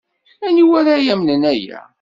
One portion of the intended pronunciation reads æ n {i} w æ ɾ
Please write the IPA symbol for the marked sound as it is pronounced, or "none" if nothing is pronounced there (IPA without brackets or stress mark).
i